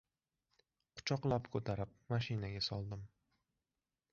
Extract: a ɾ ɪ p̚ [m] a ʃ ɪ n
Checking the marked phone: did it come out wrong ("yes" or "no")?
no